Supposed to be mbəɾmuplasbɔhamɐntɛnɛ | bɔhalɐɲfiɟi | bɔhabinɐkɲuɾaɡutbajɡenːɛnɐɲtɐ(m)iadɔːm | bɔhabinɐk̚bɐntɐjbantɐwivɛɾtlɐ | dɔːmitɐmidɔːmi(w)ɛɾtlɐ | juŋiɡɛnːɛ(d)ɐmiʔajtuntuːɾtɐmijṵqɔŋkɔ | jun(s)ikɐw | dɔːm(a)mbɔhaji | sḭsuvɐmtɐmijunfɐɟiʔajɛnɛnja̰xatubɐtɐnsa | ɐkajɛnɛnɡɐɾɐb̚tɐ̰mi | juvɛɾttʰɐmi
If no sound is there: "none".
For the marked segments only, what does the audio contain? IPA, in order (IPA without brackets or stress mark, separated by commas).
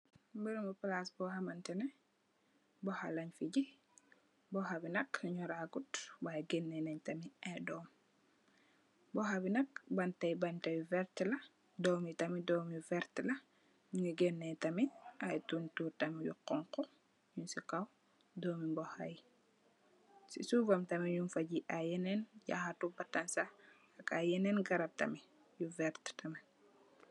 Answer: m, v, t, s, i